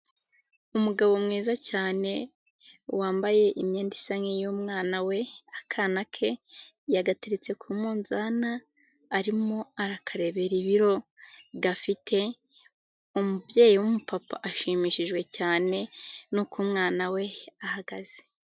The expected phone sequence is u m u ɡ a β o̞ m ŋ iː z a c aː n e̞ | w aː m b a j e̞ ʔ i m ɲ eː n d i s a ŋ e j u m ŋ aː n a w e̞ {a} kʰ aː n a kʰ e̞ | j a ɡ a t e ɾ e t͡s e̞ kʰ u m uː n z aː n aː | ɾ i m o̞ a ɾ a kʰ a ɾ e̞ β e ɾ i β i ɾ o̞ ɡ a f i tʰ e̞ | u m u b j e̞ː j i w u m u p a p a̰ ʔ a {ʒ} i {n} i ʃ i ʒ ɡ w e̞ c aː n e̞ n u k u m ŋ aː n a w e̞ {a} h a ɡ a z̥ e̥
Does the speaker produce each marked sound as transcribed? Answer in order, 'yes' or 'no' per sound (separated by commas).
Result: yes, no, no, yes